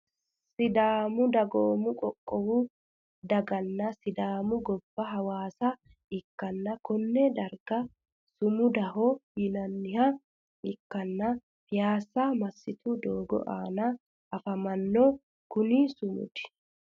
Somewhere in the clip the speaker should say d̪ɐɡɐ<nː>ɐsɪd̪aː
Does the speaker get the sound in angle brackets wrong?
no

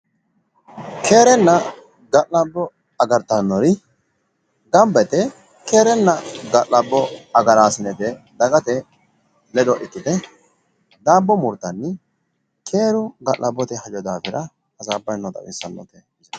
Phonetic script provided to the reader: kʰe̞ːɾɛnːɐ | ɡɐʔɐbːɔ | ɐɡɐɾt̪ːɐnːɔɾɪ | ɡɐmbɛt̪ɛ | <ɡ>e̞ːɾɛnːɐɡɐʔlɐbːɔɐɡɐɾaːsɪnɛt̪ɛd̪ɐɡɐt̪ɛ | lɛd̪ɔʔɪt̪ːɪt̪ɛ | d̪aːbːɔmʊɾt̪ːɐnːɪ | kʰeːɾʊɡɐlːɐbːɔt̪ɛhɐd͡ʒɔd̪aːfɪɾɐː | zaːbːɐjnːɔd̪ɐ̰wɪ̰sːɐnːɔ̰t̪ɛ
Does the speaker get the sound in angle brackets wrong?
yes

